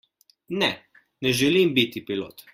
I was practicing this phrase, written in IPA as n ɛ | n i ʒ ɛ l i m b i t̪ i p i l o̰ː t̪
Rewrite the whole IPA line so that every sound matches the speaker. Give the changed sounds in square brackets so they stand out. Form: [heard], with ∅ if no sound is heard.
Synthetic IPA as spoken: n ɛ | n [ɛ] ʒ ɛ l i m b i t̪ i p i l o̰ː t̪